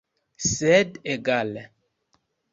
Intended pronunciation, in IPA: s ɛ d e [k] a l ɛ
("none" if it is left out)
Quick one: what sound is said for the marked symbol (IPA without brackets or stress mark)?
ɡ